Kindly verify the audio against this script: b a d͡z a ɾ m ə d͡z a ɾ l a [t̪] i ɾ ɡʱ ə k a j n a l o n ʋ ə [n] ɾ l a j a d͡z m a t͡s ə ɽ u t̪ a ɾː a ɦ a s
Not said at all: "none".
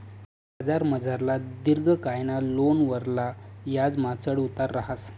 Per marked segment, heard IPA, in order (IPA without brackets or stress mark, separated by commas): d̪, none